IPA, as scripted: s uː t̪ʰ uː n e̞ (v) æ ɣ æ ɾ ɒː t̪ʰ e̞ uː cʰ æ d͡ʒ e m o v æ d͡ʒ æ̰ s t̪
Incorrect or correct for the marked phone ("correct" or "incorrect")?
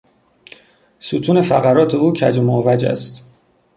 incorrect